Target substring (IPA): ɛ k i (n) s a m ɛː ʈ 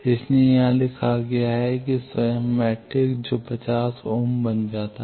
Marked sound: incorrect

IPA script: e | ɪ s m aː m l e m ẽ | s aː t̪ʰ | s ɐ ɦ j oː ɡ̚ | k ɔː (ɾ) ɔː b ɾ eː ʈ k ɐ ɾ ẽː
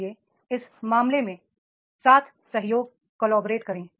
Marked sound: incorrect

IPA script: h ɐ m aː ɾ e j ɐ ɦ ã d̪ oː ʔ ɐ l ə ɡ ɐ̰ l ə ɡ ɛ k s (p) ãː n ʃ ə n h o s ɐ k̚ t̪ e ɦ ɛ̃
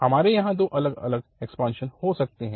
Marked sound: correct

